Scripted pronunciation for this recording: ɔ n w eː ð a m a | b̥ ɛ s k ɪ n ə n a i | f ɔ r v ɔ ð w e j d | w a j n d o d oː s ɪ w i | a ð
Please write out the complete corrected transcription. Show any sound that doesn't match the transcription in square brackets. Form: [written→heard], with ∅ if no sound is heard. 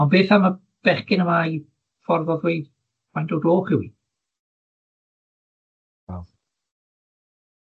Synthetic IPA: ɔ n [w→b] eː [ð→θ] a m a | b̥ ɛ [s→χ] k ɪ n ə [n→m] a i | f ɔ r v ɔ ð w e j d | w a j n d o d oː [s→χ] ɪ w i | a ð